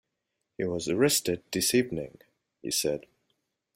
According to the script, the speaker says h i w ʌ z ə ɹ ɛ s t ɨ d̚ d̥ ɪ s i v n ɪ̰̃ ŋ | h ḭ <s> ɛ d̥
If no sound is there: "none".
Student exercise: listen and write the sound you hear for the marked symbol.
s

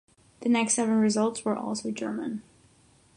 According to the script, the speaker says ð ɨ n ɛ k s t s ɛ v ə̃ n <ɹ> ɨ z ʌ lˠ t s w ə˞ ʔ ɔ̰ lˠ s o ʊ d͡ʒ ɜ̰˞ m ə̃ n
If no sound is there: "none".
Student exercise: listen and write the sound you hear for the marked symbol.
ɹ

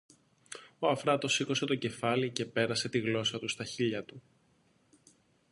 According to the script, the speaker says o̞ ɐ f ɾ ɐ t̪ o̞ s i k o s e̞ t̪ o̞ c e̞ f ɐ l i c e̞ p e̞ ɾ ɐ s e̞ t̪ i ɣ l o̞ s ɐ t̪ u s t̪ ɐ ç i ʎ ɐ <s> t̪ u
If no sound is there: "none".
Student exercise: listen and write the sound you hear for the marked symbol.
none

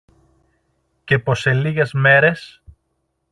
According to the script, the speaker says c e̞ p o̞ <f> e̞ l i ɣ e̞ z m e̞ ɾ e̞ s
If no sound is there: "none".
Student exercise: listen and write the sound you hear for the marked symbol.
s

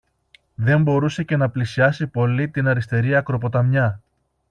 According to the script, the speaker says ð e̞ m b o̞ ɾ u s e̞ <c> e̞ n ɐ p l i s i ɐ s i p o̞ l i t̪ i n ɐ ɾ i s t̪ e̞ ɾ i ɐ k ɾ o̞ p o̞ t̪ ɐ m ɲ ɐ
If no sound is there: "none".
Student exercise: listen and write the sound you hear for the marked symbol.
c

